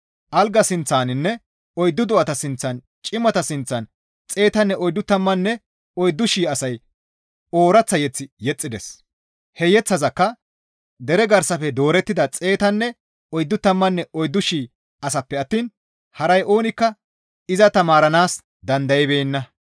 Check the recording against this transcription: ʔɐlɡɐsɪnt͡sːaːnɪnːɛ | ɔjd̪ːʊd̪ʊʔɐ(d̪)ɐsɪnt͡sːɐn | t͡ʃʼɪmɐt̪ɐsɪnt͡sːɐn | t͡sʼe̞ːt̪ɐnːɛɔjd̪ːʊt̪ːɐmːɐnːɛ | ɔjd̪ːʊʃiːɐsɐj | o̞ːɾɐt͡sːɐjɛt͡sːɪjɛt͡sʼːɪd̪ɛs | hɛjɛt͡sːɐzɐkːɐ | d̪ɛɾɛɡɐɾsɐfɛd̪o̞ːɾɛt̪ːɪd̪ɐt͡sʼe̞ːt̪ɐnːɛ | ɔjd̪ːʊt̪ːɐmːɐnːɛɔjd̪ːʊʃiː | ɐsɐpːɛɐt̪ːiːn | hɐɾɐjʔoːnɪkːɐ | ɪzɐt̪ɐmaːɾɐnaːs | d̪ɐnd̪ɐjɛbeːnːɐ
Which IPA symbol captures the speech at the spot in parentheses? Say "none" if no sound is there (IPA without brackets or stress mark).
t̪